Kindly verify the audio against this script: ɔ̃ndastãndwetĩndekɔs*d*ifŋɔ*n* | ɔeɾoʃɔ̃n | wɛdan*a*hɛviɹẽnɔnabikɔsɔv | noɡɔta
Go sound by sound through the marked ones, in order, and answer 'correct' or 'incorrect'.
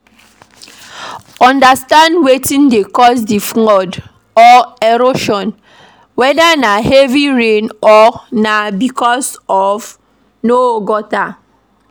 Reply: correct, incorrect: d, correct

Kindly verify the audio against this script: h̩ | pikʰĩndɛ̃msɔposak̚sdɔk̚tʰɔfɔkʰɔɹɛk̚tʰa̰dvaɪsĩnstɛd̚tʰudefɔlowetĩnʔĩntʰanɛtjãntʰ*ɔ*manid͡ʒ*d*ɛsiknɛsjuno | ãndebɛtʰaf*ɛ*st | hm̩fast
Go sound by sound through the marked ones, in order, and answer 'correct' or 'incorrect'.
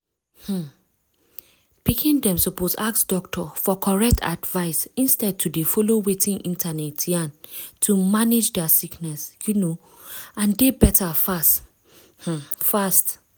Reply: incorrect: u, correct, incorrect: a

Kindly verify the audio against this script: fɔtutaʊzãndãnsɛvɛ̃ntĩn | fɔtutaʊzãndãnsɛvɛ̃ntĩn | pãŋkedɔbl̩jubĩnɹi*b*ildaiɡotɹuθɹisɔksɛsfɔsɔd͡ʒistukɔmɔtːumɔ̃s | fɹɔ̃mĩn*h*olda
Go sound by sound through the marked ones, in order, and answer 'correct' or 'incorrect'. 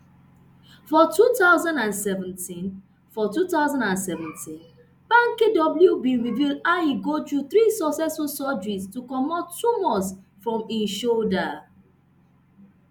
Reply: incorrect: v, incorrect: ʃ

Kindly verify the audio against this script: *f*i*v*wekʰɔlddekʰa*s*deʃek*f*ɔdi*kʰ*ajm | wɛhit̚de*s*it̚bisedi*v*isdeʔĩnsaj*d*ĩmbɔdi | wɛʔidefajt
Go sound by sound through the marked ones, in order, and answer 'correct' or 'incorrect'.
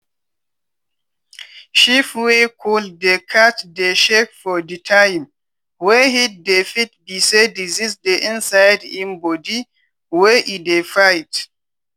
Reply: incorrect: ʃ, incorrect: f, incorrect: t, correct, incorrect: tʰ, incorrect: f, incorrect: z, correct

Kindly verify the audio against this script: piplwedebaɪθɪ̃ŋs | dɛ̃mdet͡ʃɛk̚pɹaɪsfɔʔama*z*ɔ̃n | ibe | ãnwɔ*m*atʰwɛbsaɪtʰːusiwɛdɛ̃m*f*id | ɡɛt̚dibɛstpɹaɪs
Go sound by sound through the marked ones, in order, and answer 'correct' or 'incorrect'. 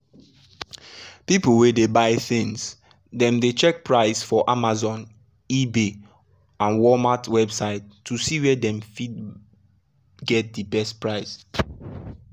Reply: correct, correct, correct

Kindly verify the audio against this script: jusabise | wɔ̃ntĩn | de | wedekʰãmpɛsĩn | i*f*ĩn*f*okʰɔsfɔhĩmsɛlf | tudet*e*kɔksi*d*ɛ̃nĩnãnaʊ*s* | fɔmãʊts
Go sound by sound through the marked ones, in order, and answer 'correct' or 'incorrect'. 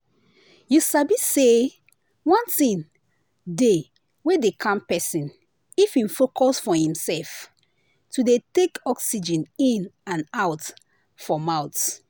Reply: correct, correct, correct, incorrect: d͡ʒ, incorrect: t

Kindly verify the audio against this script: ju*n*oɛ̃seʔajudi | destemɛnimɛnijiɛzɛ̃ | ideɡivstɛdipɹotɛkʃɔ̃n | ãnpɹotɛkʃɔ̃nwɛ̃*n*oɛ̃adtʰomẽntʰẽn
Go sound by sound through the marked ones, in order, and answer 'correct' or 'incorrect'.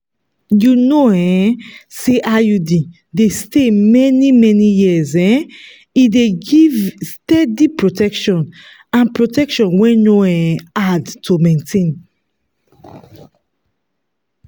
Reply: correct, correct

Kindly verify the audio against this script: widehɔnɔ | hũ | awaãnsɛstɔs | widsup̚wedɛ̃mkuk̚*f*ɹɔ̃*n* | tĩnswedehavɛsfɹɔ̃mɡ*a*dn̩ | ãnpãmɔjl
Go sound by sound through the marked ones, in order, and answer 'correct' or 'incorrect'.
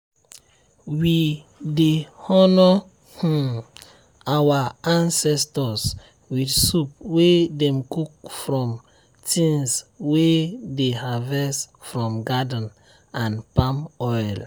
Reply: correct, incorrect: m, correct

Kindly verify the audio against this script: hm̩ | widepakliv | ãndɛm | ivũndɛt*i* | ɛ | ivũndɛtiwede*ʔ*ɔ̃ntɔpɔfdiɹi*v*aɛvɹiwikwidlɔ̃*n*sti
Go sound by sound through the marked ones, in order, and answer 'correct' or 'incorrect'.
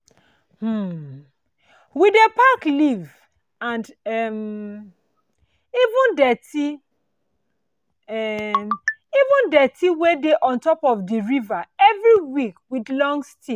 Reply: correct, correct, correct, incorrect: ŋ

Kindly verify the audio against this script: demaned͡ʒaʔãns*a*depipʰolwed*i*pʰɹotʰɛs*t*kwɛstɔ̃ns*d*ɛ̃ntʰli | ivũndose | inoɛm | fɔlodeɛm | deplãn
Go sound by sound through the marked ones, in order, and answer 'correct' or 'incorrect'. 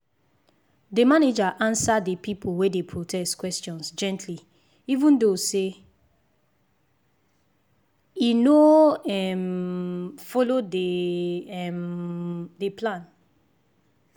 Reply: correct, incorrect: e, correct, incorrect: d͡ʒ

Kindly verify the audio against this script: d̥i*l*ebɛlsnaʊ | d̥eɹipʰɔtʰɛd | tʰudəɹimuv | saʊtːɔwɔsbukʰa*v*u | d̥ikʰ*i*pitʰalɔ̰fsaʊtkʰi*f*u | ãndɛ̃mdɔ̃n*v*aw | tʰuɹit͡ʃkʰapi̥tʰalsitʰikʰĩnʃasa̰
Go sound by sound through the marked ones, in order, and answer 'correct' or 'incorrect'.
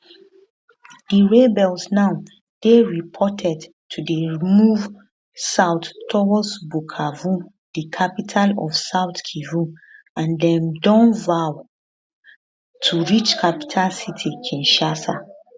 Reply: incorrect: ɹ, correct, incorrect: a, incorrect: v, correct

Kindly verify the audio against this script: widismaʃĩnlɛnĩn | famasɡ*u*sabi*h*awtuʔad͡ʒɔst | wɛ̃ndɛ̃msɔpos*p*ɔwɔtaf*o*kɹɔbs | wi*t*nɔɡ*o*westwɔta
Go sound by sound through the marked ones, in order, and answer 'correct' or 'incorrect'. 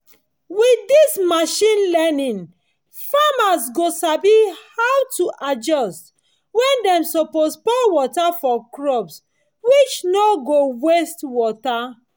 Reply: incorrect: o, correct, correct, incorrect: ɔ, incorrect: t͡ʃ, correct

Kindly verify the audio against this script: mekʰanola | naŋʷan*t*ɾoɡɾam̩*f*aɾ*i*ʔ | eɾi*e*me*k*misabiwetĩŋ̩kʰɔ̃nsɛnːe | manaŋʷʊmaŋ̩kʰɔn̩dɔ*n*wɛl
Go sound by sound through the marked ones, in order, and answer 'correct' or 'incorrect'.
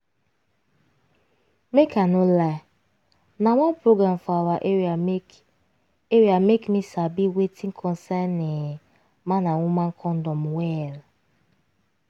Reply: incorrect: p, correct, incorrect: a, incorrect: a, correct, incorrect: m

